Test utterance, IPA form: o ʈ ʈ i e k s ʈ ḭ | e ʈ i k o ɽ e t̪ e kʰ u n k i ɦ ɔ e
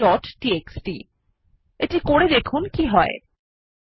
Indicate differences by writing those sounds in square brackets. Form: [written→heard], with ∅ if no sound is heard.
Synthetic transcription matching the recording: [o→ɔ] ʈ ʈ i e k s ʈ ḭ | e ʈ i k o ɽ e [t̪→d̪] e kʰ u n k i ɦ ɔ e